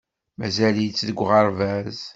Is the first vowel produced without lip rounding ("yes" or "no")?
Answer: yes